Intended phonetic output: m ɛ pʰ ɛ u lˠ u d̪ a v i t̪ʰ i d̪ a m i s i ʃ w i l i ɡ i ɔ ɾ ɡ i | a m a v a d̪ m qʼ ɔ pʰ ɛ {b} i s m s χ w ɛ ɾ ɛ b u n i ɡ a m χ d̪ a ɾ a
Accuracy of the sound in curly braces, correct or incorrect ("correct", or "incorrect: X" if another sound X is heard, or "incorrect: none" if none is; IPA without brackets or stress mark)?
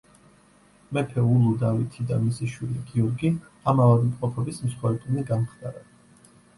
correct